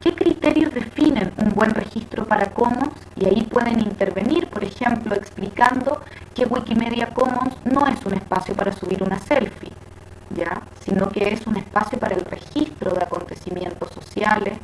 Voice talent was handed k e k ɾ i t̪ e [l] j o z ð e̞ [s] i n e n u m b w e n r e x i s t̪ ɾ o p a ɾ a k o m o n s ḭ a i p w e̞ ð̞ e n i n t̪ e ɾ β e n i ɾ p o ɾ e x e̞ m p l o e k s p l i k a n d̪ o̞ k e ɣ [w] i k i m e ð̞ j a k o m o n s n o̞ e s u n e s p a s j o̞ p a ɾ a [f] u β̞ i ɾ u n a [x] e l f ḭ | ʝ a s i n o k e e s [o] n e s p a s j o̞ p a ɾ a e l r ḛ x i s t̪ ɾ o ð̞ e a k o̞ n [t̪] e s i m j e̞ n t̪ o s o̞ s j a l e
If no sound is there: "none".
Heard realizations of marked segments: ɾ, f, w, s, s, u, t̪

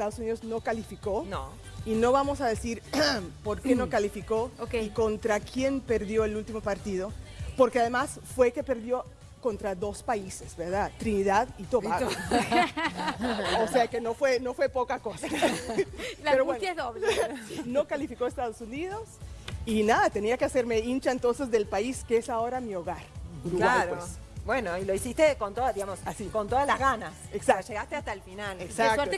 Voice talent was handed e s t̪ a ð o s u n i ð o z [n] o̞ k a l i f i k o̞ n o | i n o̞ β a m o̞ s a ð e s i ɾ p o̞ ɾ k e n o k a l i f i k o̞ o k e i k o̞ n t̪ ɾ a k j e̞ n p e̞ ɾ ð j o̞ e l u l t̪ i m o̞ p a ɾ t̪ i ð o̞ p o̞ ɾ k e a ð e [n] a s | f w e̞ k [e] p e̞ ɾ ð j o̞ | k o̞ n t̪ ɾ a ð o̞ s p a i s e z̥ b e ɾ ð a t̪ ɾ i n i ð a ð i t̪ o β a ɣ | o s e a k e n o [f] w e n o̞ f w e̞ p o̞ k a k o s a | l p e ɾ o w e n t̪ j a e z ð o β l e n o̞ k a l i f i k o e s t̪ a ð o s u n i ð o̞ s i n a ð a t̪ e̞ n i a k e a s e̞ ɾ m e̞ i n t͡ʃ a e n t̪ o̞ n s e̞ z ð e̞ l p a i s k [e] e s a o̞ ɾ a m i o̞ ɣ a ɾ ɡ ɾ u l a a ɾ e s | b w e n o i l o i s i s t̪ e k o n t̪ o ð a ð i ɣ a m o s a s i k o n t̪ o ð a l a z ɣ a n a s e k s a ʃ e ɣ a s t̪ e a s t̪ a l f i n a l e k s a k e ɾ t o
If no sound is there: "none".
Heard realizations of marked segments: n, m, e, f, e

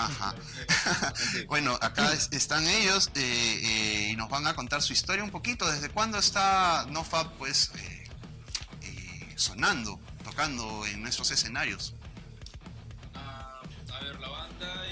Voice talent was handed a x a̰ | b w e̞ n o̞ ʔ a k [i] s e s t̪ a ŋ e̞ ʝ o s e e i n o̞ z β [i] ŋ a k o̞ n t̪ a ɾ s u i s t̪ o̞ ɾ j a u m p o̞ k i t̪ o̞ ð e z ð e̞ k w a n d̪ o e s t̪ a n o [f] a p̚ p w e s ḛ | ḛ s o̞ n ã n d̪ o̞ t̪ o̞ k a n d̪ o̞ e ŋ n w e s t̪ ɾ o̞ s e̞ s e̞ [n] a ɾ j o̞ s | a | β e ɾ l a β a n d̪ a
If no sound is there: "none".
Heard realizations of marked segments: a, a, f, n

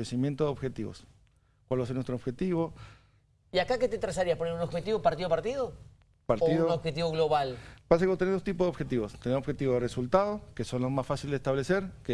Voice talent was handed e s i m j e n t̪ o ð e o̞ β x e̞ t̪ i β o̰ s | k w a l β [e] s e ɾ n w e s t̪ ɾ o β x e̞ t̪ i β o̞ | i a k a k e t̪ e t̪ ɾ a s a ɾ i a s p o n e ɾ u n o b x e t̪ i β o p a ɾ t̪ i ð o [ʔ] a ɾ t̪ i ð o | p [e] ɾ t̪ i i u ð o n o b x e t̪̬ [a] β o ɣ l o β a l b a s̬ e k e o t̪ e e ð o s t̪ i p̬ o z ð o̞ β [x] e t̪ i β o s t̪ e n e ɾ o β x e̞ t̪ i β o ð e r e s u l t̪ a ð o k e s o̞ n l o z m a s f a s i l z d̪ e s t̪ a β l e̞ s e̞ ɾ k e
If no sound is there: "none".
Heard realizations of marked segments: a, p, a, i, x

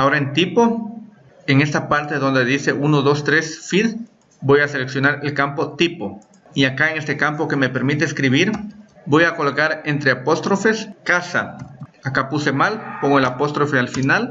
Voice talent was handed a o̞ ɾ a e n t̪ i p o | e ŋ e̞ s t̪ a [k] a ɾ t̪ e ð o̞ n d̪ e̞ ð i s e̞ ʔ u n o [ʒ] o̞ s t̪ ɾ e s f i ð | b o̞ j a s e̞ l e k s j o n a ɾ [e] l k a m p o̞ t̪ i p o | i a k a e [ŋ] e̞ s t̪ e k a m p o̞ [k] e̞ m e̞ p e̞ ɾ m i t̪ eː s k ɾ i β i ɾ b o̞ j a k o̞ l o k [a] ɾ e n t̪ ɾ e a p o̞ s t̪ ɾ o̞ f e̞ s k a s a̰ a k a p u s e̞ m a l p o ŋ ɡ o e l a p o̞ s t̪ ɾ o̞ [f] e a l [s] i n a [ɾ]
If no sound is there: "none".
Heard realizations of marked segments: p, ð, e, ŋ, k, a, f, f, l

